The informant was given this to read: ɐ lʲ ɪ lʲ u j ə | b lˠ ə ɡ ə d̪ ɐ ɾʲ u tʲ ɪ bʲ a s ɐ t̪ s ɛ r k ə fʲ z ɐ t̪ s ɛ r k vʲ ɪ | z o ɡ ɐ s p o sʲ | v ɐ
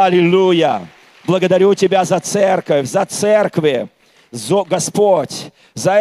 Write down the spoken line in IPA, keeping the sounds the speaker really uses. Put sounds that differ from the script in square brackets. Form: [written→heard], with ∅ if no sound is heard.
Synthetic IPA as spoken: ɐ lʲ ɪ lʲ u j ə | b lˠ ə ɡ ə d̪ ɐ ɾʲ u tʲ ɪ bʲ a [s→z] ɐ t̪ s ɛ r k ə fʲ z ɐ t̪ s ɛ r k vʲ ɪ | z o ɡ ɐ s p o [sʲ→tʲ] | [v→z] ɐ